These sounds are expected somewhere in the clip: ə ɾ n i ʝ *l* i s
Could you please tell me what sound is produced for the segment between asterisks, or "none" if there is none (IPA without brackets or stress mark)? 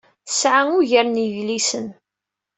l